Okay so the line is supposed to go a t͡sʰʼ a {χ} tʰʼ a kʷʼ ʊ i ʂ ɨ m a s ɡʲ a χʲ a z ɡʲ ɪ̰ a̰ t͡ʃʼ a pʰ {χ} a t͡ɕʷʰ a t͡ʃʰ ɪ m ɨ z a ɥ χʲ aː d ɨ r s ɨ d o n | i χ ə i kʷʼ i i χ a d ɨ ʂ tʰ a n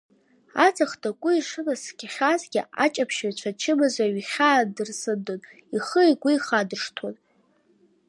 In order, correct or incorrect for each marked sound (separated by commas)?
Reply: correct, incorrect